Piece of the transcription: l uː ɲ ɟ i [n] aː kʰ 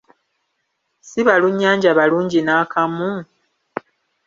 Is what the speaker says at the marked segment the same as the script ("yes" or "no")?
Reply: yes